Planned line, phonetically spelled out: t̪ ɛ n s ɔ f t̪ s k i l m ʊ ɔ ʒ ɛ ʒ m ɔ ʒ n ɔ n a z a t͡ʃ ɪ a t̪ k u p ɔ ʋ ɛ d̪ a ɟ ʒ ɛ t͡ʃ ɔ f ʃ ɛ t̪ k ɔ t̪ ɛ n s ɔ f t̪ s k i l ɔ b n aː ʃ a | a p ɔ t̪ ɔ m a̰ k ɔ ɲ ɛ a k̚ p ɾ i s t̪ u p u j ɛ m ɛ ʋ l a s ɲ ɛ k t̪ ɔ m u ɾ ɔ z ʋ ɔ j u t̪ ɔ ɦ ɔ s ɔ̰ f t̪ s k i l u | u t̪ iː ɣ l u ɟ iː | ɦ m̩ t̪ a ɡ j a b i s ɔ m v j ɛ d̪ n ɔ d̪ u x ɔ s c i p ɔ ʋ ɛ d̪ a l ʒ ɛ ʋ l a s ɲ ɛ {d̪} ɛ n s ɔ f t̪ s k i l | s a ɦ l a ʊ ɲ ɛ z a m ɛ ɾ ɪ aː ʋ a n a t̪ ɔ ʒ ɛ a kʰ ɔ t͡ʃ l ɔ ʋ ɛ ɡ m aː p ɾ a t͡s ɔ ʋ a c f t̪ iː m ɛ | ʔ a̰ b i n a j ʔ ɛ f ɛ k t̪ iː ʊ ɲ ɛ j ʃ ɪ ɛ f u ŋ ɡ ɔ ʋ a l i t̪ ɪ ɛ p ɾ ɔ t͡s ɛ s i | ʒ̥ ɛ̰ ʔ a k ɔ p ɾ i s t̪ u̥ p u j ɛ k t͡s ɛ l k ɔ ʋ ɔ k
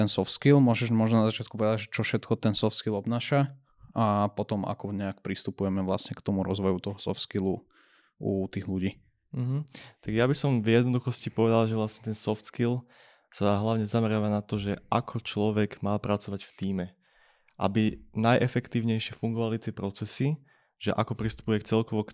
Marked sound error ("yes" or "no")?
yes